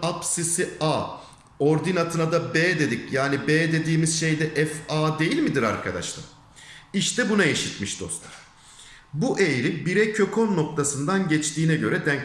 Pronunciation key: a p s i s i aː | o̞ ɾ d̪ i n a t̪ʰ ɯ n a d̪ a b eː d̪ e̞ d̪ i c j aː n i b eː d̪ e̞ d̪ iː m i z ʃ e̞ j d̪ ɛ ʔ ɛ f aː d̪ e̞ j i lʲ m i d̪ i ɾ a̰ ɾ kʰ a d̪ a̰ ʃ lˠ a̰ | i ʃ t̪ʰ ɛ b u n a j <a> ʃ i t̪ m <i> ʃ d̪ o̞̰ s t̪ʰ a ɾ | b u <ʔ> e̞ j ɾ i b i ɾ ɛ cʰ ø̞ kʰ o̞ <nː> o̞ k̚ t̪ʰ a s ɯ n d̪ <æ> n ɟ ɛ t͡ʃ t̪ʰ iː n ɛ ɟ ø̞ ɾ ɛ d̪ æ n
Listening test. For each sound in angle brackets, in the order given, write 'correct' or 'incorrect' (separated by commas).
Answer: incorrect, correct, correct, correct, incorrect